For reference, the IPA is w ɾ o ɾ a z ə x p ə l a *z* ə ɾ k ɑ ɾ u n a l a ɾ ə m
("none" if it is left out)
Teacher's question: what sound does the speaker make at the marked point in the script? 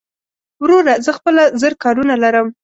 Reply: z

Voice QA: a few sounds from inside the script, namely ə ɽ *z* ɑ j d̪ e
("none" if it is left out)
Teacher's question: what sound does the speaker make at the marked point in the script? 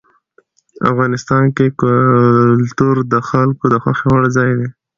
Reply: z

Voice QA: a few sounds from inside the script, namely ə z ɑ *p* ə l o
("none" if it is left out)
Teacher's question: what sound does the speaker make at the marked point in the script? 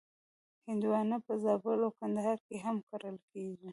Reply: b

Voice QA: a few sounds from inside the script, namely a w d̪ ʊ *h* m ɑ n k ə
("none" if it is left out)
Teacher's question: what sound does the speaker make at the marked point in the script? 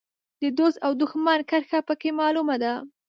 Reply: x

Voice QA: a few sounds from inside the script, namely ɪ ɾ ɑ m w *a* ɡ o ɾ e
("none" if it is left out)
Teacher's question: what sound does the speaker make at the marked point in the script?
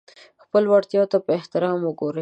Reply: ə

